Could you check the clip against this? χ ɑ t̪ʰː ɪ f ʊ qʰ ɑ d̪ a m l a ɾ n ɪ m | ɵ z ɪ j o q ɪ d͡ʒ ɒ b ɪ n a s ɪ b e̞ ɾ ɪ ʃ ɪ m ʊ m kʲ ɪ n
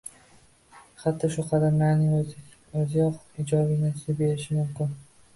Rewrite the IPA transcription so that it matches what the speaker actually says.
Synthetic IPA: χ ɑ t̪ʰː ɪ ʃ ʊ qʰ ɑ d̪ a m l a ɾ n ɪ ŋ | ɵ z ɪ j ɒ q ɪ d͡ʒ ɒ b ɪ n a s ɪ b e̞ ɾ ɪ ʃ ɪ m ʊ m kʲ ɪ n